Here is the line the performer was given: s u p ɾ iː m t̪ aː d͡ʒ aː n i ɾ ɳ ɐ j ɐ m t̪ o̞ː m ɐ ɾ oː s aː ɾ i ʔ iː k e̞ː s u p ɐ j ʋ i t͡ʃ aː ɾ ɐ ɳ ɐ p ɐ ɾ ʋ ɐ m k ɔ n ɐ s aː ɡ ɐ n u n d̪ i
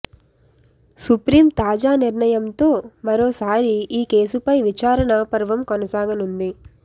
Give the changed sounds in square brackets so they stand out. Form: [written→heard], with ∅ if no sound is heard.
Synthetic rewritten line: s u p ɾ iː m t̪ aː d͡ʒ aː n i ɾ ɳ ɐ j ɐ m t̪ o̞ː m ɐ ɾ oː s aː ɾ i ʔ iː k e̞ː s u p ɐ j ʋ i t͡ʃ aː ɾ ɐ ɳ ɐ p ɐ ɾ ʋ ɐ m k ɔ n ɐ s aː ɡ ɐ n u n d̪ i